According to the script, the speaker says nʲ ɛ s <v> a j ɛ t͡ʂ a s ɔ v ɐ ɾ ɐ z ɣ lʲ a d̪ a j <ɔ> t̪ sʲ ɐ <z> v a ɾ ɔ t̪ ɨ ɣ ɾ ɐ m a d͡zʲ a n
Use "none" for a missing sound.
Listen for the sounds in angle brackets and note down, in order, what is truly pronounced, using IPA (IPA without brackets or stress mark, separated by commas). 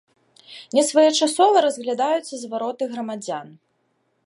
v, u, z